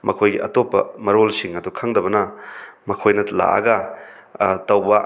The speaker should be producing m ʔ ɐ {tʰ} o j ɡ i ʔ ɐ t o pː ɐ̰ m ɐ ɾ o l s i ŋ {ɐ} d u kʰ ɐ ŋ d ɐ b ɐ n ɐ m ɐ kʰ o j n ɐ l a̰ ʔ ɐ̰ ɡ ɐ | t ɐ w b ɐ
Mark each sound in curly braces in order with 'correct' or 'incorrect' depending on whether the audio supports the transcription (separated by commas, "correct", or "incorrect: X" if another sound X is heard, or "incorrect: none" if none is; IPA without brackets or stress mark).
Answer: incorrect: kʰ, correct